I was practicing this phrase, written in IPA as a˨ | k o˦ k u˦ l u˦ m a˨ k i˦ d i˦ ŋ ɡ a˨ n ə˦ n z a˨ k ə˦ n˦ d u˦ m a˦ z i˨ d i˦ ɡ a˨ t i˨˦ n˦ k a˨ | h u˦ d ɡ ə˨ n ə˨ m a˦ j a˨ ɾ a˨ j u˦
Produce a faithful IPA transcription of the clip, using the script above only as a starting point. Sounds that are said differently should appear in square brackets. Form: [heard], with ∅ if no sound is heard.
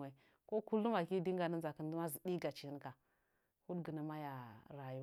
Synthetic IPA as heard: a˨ | k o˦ k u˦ l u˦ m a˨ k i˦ d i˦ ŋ ɡ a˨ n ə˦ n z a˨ k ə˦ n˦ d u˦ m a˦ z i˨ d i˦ ɡ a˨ [t͡ʃ] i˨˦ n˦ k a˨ | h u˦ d ɡ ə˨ n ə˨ m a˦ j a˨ ɾ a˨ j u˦